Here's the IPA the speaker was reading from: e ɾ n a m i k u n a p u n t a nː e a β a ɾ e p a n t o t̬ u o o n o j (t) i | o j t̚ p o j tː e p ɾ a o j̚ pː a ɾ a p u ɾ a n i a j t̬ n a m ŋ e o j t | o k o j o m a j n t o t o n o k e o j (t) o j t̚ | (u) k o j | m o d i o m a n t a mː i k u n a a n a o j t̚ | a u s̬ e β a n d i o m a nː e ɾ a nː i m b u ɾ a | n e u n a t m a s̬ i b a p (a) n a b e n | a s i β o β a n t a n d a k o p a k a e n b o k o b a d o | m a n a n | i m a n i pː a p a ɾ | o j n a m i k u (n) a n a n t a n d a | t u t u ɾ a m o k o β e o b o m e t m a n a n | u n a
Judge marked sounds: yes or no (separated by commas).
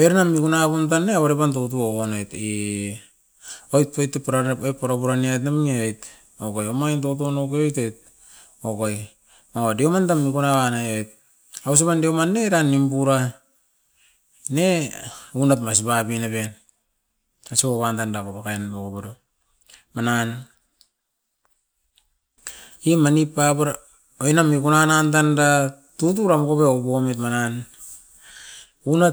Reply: yes, yes, no, no, yes